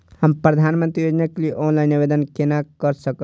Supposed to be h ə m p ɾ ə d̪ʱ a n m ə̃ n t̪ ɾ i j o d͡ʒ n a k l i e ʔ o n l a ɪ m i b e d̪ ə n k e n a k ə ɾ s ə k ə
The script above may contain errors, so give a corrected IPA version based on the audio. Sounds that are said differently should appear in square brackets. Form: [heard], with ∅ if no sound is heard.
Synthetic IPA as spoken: h ə m p ɾ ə d̪ʱ a n m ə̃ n t̪ ɾ i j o d͡ʒ n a k l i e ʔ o n l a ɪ [n] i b e d̪ ə n k e n a k ə ɾ s ə k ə